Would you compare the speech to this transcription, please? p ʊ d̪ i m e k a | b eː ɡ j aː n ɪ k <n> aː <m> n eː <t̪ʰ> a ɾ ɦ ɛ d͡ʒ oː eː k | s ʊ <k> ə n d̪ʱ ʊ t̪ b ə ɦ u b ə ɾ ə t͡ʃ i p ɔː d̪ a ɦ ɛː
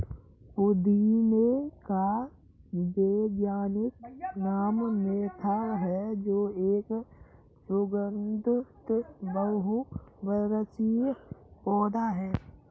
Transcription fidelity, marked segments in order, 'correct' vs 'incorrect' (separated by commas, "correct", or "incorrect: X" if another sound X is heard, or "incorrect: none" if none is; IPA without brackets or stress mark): correct, correct, correct, incorrect: ɡ